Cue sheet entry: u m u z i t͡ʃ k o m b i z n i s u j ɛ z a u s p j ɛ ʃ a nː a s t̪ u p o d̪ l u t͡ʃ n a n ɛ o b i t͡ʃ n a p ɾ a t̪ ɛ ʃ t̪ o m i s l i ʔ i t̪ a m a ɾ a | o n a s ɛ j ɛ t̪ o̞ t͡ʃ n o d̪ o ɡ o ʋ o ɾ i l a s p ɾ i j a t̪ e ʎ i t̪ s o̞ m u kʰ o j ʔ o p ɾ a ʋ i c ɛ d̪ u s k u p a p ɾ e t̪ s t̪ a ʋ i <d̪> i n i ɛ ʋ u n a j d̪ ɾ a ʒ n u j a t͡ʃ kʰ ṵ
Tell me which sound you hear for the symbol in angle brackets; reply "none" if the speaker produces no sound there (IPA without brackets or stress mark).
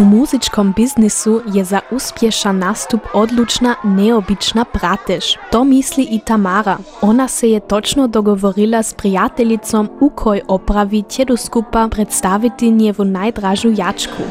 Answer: t̪